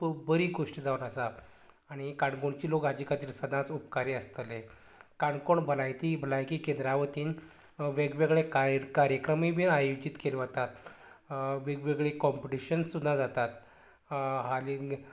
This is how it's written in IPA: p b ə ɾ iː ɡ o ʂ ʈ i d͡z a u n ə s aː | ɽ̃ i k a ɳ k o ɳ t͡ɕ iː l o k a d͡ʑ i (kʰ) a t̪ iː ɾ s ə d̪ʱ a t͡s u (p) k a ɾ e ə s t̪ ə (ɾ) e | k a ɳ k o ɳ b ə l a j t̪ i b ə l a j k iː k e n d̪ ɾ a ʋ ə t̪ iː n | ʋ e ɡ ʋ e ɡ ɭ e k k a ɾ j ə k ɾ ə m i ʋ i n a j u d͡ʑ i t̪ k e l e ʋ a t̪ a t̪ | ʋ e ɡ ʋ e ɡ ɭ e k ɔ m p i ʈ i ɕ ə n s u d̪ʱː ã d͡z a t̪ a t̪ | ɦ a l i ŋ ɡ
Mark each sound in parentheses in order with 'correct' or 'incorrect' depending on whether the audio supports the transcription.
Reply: incorrect, correct, incorrect

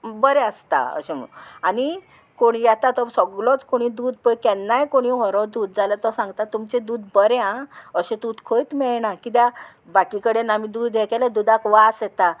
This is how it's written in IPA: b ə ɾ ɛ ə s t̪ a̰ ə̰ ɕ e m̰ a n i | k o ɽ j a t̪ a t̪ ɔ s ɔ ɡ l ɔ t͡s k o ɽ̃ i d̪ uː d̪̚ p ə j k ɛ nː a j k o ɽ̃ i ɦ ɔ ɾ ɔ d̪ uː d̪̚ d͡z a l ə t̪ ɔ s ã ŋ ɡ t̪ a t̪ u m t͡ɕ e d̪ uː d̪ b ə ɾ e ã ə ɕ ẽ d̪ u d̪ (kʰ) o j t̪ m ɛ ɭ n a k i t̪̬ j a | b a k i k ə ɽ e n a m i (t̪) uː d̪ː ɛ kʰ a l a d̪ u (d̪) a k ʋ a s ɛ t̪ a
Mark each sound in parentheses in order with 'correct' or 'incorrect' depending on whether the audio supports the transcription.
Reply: correct, incorrect, correct

